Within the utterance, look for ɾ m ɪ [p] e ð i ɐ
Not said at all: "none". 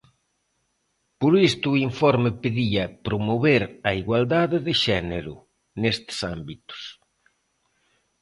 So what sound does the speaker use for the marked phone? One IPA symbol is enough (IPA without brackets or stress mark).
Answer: p